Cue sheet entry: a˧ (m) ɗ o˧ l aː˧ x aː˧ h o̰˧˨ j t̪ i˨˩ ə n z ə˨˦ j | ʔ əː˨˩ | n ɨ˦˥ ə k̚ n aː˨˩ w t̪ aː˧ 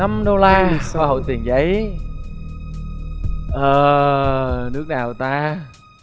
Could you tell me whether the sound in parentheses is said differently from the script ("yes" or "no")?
no